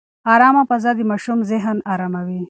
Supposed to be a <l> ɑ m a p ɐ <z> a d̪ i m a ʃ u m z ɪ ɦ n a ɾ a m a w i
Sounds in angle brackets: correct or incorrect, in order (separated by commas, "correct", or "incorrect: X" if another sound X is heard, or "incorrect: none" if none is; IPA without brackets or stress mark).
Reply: incorrect: ɾ, correct